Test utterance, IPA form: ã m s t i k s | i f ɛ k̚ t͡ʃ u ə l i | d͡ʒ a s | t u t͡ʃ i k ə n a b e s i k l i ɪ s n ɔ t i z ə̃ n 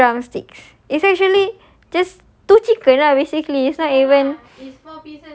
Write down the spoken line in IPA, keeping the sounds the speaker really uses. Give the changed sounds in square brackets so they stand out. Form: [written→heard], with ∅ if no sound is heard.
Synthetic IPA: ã m s t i k s | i [f→s] ɛ k̚ t͡ʃ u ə l i | d͡ʒ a s | t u t͡ʃ i k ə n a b e s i k l i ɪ s n ɔ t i [z→v] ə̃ n